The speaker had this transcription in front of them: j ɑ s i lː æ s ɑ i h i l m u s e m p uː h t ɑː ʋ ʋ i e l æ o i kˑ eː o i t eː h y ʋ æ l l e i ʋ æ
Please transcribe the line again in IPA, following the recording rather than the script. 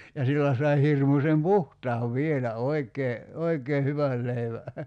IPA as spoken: j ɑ s i lː æ s ɑ i h i r m u s e m p u h t ɑː ʋ ʋ i e l æ o i kˑ eː o i k eː h y ʋ æ l l e i ʋ æ